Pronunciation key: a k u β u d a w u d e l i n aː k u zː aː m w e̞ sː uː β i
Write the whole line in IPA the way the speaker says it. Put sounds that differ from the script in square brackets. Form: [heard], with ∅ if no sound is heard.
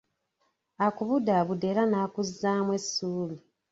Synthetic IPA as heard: a k u β u d a [β] u d e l [a] n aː k u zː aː m w e̞ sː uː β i